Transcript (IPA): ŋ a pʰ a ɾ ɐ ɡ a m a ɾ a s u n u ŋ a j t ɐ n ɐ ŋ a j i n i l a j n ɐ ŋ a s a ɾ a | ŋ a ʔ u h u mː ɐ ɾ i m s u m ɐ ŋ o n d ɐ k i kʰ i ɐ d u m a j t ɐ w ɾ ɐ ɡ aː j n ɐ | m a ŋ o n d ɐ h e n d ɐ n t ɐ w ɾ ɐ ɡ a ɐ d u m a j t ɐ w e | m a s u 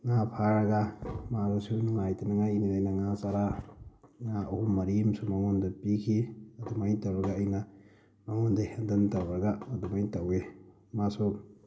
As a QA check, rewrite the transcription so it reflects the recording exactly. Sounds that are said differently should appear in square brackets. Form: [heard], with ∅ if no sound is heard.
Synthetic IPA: ŋ a pʰ a ɾ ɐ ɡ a m a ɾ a s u n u ŋ a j t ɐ n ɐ ŋ a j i n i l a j n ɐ ŋ a s a ɾ a | ŋ a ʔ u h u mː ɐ ɾ i m s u m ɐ ŋ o n d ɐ [p] i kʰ i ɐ d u m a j t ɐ w ɾ ɐ ɡ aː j n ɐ | m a ŋ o n d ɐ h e n d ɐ n t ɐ w ɾ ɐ ɡ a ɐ d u m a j t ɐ w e | m a s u